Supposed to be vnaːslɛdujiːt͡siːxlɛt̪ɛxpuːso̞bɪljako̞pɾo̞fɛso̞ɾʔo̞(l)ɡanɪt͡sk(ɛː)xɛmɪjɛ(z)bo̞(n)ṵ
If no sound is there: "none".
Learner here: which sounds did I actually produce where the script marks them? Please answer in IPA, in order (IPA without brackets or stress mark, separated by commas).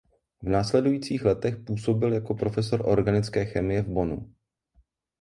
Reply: ɾ, ɛː, v, n